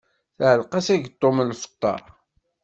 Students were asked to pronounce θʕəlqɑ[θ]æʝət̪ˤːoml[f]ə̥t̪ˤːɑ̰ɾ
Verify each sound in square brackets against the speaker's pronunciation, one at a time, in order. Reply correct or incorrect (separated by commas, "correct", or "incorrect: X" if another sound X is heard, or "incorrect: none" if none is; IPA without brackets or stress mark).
incorrect: s, correct